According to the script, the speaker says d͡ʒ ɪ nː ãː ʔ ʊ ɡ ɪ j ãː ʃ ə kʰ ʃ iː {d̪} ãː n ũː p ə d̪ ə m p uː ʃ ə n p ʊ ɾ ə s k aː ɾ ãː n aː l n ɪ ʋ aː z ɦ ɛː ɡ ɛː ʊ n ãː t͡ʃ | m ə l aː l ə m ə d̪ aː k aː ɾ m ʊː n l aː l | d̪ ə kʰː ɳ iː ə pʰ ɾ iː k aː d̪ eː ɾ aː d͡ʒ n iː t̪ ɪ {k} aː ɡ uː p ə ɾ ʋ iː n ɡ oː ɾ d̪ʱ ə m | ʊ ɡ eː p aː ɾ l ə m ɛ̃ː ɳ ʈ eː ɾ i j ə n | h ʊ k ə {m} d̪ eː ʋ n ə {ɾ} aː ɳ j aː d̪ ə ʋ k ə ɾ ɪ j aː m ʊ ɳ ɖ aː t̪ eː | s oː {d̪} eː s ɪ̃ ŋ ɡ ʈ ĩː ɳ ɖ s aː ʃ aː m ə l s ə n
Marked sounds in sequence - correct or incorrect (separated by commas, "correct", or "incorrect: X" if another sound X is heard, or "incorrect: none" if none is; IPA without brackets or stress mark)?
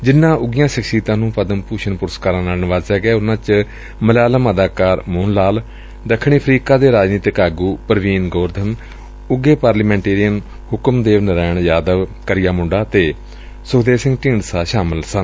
incorrect: t̪, correct, correct, correct, correct